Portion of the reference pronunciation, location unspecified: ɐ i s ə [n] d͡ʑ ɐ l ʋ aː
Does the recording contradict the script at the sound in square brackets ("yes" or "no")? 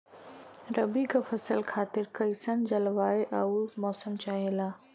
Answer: no